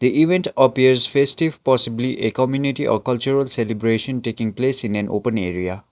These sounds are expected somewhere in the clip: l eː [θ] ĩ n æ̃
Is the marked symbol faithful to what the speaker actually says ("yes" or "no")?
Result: no